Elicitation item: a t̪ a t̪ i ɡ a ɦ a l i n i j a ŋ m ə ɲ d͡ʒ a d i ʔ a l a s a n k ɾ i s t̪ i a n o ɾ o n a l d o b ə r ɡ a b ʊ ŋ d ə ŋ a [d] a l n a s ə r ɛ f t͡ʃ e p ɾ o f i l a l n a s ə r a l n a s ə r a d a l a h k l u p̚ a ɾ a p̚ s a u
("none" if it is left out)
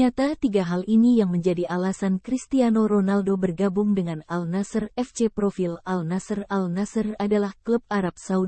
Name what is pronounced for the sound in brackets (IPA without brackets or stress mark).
n